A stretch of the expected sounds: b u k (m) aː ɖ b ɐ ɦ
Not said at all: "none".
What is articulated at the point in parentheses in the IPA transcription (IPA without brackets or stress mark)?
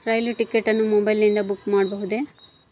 m